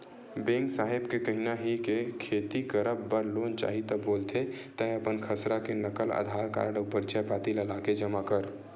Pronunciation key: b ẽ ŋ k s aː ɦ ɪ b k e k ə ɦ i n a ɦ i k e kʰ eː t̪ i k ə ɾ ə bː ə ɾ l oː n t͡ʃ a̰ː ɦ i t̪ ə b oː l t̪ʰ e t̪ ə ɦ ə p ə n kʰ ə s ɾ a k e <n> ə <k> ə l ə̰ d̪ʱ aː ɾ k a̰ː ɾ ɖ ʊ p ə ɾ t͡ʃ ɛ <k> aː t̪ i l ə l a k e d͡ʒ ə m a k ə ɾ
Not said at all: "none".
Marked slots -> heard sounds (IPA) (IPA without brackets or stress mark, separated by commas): n, k, p